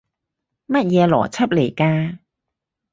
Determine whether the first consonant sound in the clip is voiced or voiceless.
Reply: voiced